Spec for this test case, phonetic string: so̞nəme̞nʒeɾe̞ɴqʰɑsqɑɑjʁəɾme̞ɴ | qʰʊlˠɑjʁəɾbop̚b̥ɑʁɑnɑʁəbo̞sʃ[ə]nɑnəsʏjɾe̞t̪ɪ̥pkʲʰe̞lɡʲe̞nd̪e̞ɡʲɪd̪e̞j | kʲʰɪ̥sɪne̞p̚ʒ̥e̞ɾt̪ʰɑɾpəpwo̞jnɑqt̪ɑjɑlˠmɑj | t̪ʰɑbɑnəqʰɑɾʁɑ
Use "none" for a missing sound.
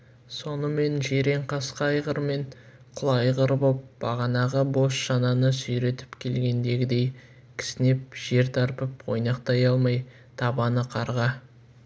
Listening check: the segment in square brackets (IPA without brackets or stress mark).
ɑ